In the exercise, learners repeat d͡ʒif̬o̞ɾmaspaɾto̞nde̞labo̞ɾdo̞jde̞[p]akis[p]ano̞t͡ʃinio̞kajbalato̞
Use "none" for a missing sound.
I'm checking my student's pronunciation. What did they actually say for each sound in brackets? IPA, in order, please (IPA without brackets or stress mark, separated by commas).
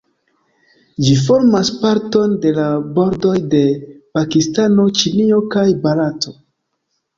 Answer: p, t